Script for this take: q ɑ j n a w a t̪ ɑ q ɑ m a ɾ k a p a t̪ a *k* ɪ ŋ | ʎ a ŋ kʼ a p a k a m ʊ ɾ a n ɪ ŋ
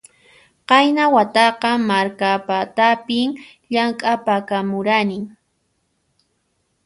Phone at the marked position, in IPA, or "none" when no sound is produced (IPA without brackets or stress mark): p